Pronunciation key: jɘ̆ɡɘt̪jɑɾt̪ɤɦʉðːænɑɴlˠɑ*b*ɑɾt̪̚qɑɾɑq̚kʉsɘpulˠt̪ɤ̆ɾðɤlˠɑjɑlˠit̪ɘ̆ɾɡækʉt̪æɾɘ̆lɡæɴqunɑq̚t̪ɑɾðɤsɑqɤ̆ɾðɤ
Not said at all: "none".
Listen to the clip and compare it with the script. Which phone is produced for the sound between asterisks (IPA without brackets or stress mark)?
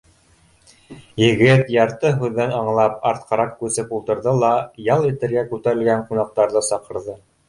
p